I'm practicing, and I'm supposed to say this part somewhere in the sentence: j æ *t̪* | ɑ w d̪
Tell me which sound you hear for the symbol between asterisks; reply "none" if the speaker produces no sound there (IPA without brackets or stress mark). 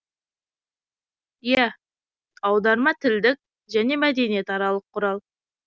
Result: none